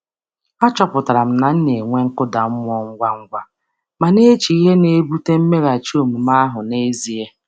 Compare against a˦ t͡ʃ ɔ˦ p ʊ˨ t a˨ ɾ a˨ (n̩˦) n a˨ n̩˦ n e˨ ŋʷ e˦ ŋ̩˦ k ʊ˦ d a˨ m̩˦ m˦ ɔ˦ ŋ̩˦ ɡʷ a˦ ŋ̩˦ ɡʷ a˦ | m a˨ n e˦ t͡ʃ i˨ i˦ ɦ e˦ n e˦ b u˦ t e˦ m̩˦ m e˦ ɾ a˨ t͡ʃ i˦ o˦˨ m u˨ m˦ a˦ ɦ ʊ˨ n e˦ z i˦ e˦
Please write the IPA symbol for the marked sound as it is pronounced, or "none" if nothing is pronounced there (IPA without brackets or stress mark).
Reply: m̩˦